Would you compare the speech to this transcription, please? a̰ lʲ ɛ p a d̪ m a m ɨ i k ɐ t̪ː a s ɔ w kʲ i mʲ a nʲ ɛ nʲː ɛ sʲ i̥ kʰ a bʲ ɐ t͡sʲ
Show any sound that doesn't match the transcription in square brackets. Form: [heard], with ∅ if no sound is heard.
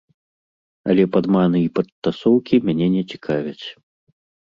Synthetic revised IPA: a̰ lʲ ɛ p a d̪ m a [n] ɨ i [p] ɐ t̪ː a s ɔ w kʲ i mʲ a nʲ ɛ [nʲ] ɛ [t͡sʲ] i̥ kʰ a [vʲ] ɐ t͡sʲ

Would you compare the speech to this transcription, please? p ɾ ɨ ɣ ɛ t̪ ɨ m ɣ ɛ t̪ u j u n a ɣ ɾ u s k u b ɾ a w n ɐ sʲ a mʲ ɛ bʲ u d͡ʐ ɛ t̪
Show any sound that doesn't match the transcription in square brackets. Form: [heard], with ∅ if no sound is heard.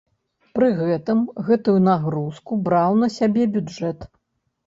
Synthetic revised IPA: p ɾ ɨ ɣ ɛ t̪ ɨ m ɣ ɛ t̪ u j u n a ɣ ɾ u s k u b ɾ a w n ɐ sʲ a [bʲ] ɛ bʲ u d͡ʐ ɛ t̪

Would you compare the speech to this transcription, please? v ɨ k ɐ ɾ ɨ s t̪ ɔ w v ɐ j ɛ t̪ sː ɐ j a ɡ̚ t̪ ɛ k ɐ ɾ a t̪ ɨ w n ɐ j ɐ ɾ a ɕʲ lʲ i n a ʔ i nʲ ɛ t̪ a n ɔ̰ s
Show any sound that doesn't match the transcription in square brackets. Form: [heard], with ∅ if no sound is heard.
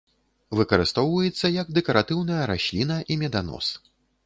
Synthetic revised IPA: v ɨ k ɐ ɾ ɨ s t̪ ɔ w v ɐ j ɛ t̪ sː ɐ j [ɐ] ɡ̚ [d̪] ɛ k ɐ ɾ a t̪ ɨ w n ɐ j ɐ ɾ a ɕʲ lʲ i n [ɐ] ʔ i [mʲ] ɛ [d̪] a n ɔ̰ s

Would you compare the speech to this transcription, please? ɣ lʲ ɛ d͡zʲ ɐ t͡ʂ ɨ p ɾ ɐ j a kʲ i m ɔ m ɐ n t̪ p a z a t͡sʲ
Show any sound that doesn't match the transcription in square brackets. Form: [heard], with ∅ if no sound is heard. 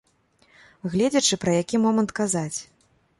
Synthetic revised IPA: ɣ lʲ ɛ d͡zʲ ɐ t͡ʂ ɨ p ɾ ɐ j a kʲ i m ɔ m ɐ n t̪ [k] a z a t͡sʲ

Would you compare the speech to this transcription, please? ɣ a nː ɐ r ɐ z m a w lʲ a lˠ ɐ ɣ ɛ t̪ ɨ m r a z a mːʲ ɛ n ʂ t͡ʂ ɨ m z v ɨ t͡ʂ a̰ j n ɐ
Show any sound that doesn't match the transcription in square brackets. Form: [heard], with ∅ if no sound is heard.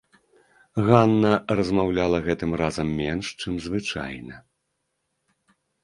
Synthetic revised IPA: ɣ a nː ɐ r ɐ z m a w lʲ a lˠ ɐ ɣ ɛ t̪ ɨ m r a z [ɐ] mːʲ ɛ n ʂ t͡ʂ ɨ m z v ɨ t͡ʂ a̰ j n ɐ

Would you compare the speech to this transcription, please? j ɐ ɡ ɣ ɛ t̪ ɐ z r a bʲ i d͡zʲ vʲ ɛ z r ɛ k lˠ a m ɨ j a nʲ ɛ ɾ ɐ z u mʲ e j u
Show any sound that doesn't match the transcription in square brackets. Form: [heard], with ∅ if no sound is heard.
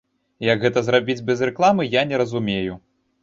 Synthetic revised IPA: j ɐ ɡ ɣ ɛ t̪ ɐ z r a bʲ i d͡zʲ [bʲ] ɛ z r ɛ k lˠ a m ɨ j a nʲ ɛ ɾ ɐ z u mʲ e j u

